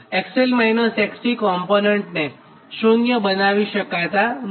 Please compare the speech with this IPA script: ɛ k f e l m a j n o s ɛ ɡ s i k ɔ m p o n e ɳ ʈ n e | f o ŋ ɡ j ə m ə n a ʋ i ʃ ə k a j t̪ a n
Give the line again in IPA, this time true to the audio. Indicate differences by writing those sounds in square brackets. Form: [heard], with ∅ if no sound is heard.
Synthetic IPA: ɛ k [s] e l m a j n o s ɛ [k] s i k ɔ m p o n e ɳ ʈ n e | [ʃ] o ŋ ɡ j ə [b] ə n a ʋ i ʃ ə k a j t̪ a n